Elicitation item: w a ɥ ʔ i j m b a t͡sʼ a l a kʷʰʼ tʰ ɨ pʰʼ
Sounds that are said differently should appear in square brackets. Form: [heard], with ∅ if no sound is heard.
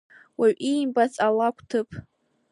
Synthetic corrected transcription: w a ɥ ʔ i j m b a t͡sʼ a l a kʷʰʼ tʰ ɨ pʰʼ